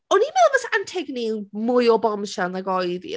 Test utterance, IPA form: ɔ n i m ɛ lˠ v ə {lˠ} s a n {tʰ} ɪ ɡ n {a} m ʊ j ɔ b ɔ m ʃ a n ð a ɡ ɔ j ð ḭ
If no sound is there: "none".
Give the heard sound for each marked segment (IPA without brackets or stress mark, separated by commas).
none, tʰ, i